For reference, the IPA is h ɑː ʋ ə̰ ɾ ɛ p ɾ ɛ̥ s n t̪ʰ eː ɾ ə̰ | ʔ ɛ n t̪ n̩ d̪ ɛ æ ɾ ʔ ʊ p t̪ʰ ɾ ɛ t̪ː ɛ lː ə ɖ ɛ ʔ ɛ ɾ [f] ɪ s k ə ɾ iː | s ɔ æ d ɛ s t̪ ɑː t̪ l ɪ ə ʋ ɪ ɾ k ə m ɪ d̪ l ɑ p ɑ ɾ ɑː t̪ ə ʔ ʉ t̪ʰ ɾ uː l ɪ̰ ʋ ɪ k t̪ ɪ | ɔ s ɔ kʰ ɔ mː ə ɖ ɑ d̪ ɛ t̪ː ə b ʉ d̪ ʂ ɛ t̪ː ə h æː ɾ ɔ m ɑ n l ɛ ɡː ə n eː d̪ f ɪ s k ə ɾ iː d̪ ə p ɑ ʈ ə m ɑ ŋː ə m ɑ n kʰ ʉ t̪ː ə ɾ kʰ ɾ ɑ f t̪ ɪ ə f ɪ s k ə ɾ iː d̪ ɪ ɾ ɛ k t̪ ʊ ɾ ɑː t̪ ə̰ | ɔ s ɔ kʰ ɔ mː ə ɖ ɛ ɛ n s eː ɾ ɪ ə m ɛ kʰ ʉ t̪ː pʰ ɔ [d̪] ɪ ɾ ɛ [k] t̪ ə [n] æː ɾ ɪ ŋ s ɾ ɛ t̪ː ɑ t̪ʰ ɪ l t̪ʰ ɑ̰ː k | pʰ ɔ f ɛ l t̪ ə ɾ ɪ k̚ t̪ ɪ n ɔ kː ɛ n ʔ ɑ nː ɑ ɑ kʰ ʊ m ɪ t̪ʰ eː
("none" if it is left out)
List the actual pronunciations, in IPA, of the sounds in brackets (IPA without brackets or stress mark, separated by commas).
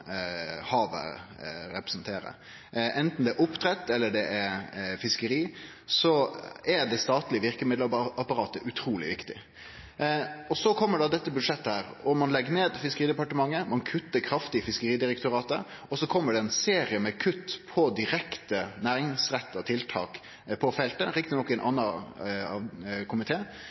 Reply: f, d̪, k, n